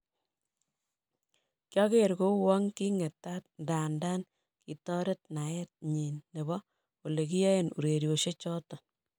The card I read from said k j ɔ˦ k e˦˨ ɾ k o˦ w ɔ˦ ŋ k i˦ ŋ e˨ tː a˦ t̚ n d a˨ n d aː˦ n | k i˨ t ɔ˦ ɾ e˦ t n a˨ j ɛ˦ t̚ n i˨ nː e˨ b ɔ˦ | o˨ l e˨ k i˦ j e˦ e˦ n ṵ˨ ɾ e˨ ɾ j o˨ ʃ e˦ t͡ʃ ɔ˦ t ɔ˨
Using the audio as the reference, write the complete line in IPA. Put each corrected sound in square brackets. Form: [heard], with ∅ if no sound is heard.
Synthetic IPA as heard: k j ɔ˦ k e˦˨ ɾ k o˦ w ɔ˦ ŋ k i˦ ŋ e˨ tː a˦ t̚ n d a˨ n d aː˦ n | k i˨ t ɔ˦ ɾ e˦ t n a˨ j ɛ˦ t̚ [ɲ] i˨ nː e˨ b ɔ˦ | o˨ l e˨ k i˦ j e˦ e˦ n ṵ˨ ɾ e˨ ɾ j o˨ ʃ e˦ t͡ʃ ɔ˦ t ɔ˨

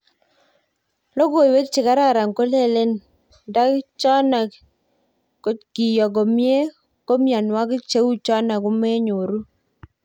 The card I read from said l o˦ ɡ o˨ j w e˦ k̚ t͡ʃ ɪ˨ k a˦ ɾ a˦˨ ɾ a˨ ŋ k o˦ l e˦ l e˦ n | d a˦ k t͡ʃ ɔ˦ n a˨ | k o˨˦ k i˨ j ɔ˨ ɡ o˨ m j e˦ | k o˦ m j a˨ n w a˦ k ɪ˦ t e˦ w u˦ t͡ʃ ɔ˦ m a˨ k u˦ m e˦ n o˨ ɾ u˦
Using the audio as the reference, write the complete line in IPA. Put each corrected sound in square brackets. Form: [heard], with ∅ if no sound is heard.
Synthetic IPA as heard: l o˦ ɡ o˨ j w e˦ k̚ t͡ʃ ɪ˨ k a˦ ɾ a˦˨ ɾ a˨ ŋ k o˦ l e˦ l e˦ n | d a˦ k t͡ʃ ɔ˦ n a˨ | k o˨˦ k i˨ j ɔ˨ ɡ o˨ m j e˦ | k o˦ m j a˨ n w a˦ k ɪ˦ [t͡ʃ] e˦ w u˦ t͡ʃ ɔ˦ [n] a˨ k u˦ m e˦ [ɲ] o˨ ɾ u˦

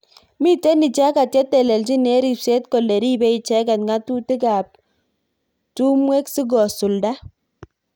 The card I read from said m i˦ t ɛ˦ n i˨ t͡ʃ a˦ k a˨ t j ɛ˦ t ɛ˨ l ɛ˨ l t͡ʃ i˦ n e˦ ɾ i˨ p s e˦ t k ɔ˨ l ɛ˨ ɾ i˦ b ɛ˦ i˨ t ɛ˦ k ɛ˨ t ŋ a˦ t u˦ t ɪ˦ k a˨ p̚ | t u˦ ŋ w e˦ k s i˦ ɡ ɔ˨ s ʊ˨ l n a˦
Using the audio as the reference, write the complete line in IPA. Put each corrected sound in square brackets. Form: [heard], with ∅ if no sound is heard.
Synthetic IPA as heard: m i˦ t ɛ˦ n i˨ t͡ʃ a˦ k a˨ t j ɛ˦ t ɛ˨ l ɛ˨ l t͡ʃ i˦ n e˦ ɾ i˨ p s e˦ t k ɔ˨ l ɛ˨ ɾ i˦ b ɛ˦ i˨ [t͡ʃ] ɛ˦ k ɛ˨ t ŋ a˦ t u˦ t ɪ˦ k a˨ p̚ | t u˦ [m] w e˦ k s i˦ ɡ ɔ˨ s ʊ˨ l [d] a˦

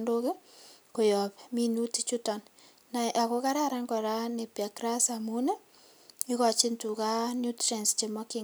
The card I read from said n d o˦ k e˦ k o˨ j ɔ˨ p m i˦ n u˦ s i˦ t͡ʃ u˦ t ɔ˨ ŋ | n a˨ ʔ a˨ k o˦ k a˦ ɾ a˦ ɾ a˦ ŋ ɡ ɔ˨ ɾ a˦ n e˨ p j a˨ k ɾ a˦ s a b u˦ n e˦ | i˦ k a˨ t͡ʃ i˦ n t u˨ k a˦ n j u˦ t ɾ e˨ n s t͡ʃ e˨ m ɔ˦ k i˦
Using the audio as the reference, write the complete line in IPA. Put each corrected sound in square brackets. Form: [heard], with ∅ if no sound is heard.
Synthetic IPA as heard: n d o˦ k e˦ k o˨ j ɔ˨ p m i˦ n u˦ [t] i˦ t͡ʃ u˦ t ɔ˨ [n] | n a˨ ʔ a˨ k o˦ k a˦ ɾ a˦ ɾ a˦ ŋ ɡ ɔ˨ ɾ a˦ n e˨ p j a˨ k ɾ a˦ s a [m] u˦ n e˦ | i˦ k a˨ t͡ʃ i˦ n t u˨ k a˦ n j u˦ t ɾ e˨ n s t͡ʃ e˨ m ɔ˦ k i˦

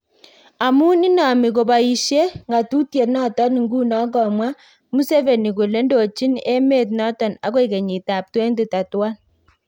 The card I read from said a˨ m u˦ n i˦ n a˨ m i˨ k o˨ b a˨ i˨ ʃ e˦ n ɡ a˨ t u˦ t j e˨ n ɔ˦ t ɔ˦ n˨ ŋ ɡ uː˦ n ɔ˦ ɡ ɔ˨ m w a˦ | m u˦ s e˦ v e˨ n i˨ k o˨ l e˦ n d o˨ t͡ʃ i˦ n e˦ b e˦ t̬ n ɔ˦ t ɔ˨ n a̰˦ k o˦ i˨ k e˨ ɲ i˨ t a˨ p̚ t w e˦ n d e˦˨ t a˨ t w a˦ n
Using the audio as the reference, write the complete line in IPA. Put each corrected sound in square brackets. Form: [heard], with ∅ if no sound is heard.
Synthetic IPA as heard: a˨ m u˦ n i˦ n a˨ m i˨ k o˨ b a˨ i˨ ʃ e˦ [ŋ] ɡ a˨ t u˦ t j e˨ n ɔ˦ t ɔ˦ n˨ ŋ ɡ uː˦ n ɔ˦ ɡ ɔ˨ m w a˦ | m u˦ s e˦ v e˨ n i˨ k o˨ l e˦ n d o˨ t͡ʃ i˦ n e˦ [m] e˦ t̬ n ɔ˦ t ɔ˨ n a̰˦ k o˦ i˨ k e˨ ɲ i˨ t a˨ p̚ t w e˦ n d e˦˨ t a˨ t w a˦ n

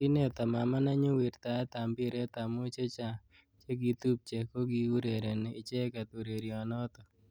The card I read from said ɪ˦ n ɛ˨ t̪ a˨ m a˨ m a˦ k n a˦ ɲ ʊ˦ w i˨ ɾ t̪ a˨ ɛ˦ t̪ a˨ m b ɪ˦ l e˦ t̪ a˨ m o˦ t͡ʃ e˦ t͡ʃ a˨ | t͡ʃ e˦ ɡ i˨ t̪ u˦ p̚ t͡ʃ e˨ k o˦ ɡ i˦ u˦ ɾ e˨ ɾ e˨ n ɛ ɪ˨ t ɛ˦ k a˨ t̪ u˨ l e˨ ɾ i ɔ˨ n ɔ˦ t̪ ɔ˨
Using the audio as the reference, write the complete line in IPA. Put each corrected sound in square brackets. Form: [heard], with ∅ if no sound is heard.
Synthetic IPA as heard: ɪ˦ n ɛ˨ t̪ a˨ m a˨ m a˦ [∅] n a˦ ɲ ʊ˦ w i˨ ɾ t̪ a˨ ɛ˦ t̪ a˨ m b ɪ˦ [ɾ] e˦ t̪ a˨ m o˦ t͡ʃ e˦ t͡ʃ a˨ | t͡ʃ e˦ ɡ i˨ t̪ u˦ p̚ t͡ʃ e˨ k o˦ ɡ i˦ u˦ ɾ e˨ ɾ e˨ n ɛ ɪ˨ [t͡ʃ] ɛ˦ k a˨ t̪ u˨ [ɾ] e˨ ɾ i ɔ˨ n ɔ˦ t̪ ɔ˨

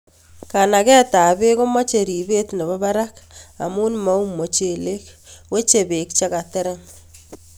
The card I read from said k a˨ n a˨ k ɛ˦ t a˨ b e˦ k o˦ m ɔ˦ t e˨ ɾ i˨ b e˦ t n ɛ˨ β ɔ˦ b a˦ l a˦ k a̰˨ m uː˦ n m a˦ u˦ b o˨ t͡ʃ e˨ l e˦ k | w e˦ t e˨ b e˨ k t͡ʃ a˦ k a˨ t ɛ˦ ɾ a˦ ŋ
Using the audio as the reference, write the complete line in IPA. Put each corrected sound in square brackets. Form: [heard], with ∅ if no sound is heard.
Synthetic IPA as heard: k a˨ n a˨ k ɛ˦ t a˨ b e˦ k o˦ m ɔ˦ [t͡ʃ] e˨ ɾ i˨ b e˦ t n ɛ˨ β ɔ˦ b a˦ [ɾ] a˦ k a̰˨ m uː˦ n m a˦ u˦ [m] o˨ t͡ʃ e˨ l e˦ k | w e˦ [t͡ʃ] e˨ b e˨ k t͡ʃ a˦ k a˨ t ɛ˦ ɾ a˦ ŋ

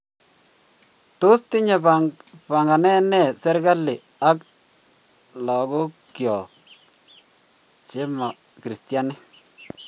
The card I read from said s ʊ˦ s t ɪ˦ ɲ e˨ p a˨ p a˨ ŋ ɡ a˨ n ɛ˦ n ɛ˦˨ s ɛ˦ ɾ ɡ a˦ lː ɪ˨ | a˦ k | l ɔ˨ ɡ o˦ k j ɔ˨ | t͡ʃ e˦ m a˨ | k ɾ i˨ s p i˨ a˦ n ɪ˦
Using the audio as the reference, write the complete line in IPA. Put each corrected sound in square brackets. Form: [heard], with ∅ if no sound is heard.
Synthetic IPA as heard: [t] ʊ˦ s t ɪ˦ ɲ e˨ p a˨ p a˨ ŋ ɡ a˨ n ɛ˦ n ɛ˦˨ s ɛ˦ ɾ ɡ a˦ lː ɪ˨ | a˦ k | l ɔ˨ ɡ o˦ k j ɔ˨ | t͡ʃ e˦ m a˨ | k ɾ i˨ s [t] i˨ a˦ n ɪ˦

